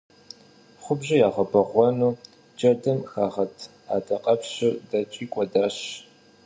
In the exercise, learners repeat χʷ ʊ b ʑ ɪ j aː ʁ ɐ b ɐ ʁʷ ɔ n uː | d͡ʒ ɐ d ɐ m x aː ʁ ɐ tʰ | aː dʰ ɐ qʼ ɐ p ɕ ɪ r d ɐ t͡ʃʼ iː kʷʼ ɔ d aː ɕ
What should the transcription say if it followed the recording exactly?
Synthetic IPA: χʷ ʊ b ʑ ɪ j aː ʁ ɐ b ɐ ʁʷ ɔ n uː | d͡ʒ ɐ d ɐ m x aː ʁ ɐ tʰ | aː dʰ ɐ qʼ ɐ p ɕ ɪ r d ɐ t͡ʃʼ iː kʷʼ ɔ d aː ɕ